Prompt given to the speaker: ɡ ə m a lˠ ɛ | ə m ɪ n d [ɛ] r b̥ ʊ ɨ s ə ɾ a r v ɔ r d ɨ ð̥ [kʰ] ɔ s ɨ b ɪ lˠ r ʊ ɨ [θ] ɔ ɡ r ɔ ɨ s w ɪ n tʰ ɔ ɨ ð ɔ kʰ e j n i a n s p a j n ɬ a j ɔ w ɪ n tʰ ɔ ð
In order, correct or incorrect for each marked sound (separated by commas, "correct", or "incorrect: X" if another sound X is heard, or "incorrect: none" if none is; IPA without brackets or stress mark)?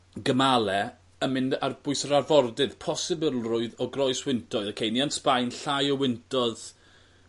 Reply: incorrect: a, incorrect: pʰ, incorrect: ð